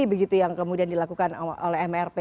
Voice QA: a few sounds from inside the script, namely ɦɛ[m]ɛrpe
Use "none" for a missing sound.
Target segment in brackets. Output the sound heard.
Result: m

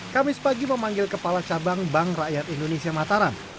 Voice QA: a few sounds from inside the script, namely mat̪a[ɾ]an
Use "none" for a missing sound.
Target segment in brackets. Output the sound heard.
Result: ɾ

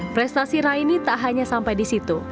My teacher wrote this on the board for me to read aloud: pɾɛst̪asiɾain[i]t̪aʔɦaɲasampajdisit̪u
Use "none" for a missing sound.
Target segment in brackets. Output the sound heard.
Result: i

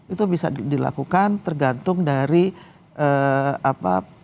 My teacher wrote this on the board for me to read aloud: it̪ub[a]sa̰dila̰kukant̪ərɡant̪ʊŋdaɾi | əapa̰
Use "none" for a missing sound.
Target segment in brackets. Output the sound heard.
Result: i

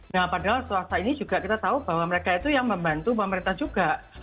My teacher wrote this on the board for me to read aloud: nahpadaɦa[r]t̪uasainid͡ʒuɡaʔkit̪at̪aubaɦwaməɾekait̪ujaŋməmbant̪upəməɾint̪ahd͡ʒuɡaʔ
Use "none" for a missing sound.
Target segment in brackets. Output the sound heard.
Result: l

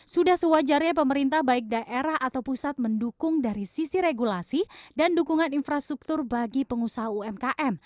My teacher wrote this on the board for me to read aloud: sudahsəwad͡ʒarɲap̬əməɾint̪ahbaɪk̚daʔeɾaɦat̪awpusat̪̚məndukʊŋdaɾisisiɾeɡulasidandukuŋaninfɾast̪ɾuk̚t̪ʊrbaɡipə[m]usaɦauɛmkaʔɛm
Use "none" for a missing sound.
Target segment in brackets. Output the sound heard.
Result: ŋ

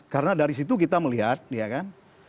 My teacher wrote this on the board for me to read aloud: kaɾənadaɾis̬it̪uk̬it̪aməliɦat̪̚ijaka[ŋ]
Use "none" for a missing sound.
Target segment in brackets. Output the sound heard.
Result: n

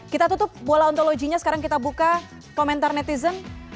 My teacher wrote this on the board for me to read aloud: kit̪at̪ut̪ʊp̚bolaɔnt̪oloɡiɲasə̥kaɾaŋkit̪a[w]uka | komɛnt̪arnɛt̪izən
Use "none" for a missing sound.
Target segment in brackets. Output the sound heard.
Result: b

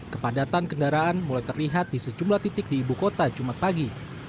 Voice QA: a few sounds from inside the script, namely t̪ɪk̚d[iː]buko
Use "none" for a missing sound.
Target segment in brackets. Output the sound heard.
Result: iː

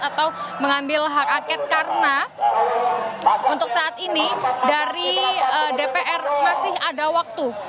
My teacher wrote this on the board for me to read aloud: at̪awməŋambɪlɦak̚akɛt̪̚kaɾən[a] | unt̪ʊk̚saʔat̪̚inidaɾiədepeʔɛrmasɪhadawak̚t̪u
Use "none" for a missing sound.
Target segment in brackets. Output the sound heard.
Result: a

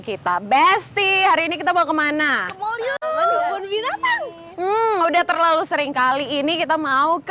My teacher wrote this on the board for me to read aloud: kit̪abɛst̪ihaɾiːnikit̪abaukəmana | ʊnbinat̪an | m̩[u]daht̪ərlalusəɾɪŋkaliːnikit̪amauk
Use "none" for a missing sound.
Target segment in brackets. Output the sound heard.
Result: u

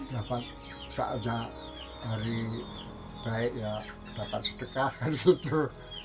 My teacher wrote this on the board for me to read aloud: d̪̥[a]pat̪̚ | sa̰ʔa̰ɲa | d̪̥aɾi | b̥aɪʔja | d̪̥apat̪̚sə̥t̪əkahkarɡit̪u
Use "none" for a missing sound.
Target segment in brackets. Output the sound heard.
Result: a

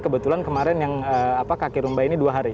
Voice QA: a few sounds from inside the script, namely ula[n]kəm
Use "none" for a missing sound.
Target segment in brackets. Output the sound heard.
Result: n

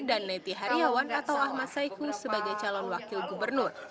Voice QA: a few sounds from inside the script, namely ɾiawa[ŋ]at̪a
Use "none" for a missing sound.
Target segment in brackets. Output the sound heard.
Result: n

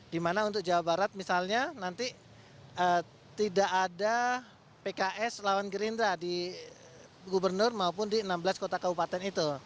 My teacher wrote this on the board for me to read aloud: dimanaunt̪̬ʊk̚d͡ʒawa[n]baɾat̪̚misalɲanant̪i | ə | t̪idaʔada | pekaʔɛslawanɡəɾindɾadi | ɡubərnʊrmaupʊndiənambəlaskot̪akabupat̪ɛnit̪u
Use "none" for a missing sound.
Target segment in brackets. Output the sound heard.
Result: none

